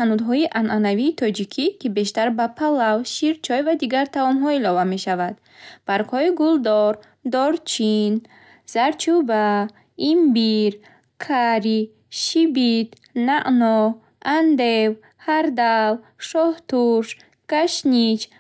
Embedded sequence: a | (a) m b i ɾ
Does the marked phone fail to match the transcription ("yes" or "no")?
yes